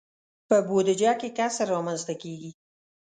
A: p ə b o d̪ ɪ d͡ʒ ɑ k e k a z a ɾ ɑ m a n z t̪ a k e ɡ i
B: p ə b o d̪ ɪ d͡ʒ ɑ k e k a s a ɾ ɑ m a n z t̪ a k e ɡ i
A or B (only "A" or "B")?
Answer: B